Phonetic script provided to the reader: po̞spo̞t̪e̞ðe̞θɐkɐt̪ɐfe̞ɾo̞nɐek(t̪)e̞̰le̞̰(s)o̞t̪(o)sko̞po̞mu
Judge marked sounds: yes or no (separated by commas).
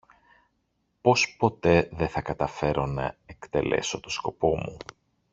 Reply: yes, yes, yes